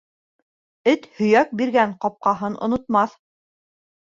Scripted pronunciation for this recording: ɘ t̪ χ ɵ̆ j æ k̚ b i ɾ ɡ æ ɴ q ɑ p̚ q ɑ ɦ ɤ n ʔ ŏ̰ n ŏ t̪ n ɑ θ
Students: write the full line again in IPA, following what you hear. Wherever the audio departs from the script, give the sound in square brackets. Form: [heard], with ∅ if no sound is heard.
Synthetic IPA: ɘ t̪ [h] ɵ̆ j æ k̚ b i ɾ ɡ æ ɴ q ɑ p̚ q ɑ ɦ ɤ n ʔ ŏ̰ n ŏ t̪ [m] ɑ θ